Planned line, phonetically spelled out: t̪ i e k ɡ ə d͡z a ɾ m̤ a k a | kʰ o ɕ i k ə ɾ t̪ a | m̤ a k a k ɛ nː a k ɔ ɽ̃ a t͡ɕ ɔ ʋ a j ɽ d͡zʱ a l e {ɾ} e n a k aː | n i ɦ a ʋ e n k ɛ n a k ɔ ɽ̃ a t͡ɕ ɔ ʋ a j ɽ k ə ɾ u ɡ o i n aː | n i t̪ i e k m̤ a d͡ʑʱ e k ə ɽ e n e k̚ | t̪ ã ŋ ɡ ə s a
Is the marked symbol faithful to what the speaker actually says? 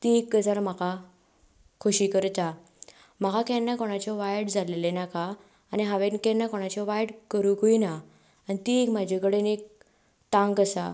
no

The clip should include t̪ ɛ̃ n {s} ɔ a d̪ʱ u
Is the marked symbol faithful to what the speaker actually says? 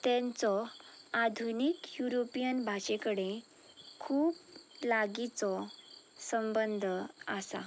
no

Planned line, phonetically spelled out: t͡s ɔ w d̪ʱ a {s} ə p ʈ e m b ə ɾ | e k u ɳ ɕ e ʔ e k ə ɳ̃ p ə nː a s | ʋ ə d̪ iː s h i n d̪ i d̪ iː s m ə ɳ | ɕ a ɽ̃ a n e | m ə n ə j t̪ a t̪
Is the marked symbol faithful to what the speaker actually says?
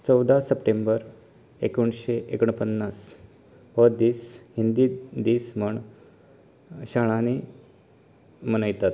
yes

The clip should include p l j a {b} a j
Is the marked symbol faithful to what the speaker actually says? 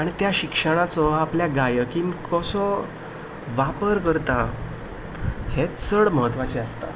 no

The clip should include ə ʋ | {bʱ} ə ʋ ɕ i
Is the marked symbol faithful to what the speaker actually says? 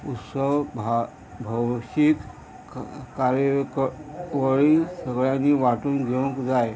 yes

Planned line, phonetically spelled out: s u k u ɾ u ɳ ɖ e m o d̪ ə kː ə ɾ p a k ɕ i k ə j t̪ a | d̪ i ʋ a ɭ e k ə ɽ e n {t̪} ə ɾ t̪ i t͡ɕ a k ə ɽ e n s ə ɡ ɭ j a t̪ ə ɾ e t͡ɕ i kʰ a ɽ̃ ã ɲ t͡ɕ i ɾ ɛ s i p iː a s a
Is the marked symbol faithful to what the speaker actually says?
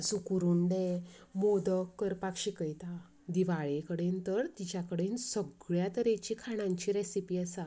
yes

